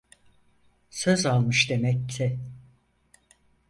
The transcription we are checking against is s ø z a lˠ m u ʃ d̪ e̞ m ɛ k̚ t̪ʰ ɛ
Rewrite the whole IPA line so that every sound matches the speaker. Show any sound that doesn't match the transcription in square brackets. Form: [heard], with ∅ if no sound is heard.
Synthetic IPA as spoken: s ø z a lˠ m [ɯ] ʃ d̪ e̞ m ɛ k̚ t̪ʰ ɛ

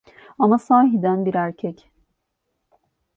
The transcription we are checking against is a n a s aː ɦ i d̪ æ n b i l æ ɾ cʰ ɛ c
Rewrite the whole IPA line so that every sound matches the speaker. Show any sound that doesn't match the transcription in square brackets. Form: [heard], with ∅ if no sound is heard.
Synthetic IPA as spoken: a [m] a s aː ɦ i d̪ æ n b i [ɾ] æ ɾ cʰ ɛ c

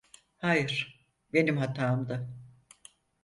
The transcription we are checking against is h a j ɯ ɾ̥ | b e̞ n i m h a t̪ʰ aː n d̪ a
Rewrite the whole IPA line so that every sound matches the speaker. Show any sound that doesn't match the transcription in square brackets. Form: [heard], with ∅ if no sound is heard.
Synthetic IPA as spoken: h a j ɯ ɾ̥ | b e̞ n i m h a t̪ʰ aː [m] d̪ a

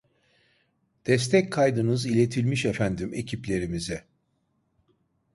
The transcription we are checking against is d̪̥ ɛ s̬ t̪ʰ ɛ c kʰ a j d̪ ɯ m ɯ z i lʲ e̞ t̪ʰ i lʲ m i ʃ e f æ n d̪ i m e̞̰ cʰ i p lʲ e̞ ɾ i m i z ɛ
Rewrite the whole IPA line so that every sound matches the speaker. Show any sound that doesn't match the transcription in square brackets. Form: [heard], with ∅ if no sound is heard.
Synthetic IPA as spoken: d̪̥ ɛ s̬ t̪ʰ ɛ c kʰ a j d̪ ɯ [n] ɯ z i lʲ e̞ t̪ʰ i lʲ m i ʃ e f æ n d̪ i m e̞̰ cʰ i p lʲ e̞ ɾ i m i z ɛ

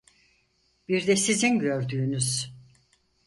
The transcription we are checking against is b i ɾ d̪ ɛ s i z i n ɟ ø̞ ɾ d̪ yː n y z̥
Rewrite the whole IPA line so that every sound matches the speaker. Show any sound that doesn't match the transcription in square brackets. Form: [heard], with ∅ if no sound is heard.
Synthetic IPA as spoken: b i ɾ d̪ ɛ s i z i n ɟ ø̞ ɾ d̪ yː n y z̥

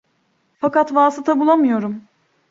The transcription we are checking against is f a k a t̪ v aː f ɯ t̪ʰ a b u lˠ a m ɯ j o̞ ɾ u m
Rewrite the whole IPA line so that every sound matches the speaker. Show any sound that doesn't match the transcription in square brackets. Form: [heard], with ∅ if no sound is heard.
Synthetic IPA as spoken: f a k a t̪ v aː [s] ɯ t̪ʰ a b u lˠ a m ɯ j o̞ ɾ u m

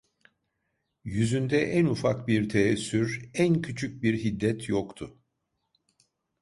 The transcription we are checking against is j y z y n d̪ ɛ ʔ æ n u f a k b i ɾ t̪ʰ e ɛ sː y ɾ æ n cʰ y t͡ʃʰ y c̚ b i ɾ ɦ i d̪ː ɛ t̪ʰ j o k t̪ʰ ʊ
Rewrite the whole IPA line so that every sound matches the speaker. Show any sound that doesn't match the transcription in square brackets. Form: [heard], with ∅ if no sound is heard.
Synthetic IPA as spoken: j y z y n d̪ ɛ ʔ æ n u f a k b i ɾ t̪ʰ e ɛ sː y ɾ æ n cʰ y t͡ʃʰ y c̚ b i ɾ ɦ i d̪ː ɛ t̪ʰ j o k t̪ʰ ʊ

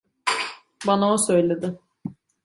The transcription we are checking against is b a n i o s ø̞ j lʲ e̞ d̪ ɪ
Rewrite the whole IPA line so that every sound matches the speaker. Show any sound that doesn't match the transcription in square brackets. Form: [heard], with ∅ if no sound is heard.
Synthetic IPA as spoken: b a n [a] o s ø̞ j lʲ e̞ d̪ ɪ

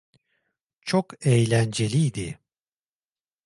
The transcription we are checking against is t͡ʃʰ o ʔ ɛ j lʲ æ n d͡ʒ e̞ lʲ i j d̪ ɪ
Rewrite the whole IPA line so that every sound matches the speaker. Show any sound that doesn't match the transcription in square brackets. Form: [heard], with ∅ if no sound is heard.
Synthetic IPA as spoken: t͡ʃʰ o [k] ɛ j lʲ æ n d͡ʒ e̞ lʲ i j d̪ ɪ

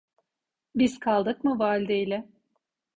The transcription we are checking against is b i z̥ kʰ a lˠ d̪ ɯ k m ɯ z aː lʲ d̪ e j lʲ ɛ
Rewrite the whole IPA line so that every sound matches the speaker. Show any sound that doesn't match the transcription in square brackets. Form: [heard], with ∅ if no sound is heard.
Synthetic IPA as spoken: b i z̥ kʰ a lˠ d̪ ɯ k m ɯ [v] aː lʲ d̪ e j lʲ ɛ

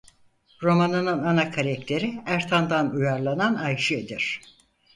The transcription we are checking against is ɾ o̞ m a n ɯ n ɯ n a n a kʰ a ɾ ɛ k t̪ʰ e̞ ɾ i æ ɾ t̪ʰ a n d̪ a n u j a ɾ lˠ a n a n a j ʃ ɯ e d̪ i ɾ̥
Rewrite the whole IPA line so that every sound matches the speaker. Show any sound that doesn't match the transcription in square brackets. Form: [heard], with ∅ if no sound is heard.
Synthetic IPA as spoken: ɾ o̞ m a n ɯ n ɯ n a n a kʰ a ɾ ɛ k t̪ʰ e̞ ɾ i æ ɾ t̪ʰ a n d̪ a n u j a ɾ lˠ a n a n a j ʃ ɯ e d̪ i ɾ̥

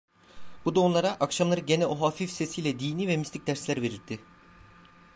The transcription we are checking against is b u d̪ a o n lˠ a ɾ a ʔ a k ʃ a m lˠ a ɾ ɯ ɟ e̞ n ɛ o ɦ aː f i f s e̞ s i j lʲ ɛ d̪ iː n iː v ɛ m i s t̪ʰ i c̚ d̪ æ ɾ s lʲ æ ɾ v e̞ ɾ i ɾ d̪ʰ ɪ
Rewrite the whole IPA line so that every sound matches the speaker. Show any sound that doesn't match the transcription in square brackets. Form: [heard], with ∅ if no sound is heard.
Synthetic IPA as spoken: b u d̪ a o n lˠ a ɾ a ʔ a k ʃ a m lˠ a ɾ ɯ ɟ e̞ n ɛ o ɦ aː f i f s e̞ s i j lʲ ɛ d̪ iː n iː v ɛ m i s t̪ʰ i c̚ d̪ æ ɾ s lʲ æ ɾ v e̞ ɾ i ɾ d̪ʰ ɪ

